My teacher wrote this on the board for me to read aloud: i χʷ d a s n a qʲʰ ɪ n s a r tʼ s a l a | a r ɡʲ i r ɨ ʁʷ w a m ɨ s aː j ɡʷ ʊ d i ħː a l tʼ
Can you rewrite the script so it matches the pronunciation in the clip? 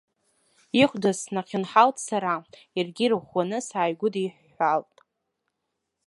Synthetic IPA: i χʷ d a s n a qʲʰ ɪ n ħ a l tʼ s a ɾ a | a r ɡʲ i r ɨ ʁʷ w a n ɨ s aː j ɡʷ ʊ d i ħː a l tʼ